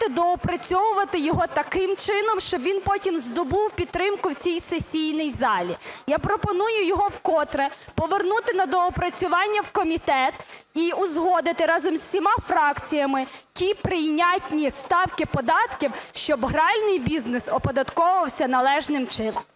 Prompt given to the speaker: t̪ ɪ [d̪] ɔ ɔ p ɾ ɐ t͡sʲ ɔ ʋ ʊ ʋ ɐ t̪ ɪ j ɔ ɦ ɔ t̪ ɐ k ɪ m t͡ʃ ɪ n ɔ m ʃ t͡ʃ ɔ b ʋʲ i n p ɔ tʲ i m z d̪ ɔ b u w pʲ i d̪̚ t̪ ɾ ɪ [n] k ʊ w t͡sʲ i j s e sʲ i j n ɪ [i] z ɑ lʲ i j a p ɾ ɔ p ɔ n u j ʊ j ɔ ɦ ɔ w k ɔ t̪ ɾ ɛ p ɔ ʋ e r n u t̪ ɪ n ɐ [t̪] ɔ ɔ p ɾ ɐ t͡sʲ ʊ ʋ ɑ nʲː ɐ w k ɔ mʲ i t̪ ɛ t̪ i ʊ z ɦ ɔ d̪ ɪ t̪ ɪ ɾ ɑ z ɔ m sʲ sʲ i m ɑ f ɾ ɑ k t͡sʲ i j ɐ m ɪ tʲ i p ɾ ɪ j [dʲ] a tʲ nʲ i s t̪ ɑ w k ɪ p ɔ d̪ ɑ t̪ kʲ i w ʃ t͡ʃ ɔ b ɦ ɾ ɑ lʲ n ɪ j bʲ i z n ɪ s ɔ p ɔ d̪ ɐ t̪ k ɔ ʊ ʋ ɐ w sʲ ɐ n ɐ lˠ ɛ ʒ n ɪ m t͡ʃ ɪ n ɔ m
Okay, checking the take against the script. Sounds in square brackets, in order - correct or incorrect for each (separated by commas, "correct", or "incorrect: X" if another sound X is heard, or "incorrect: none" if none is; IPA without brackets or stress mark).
correct, incorrect: m, incorrect: j, incorrect: d̪, incorrect: nʲ